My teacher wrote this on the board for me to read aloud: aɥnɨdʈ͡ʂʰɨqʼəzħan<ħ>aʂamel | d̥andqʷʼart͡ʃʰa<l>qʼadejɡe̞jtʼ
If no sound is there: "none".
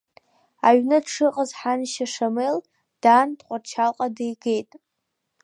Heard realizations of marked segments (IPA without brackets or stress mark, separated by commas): ʃ, l